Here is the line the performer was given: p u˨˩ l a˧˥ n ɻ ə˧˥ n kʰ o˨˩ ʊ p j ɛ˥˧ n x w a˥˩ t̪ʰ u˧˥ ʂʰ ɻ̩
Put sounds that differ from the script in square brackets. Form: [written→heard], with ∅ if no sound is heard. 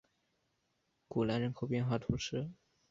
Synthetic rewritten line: [p→k] u˨˩ l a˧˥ n ɻ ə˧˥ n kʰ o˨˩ ʊ p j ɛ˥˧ n x w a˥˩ t̪ʰ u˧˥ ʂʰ ɻ̩